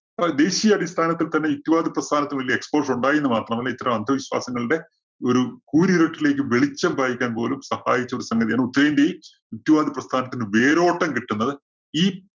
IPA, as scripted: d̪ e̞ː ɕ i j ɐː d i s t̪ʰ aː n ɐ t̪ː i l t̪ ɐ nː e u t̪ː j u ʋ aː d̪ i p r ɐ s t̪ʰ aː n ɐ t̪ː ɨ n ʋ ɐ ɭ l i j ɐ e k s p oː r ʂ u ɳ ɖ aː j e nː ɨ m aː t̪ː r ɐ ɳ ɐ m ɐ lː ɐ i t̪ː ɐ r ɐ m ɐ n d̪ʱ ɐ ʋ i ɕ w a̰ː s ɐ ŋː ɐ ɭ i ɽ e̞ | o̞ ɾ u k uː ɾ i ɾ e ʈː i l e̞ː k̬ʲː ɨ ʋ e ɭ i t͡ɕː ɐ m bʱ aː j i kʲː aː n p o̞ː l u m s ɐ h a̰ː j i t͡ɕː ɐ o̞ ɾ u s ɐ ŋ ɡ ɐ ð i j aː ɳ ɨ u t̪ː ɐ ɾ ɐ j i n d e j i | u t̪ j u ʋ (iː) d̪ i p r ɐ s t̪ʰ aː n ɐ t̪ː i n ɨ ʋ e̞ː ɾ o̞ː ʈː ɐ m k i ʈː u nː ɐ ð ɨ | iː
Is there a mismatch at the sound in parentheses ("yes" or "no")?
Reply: yes